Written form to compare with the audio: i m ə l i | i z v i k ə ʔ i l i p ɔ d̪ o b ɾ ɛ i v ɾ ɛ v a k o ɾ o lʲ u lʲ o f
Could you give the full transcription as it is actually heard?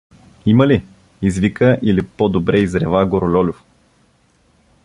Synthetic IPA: i m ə l i | i z v i k ə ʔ i l i p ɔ d̪ o b ɾ ɛ i z ɾ ɛ v a ɡ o ɾ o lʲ ɔ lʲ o f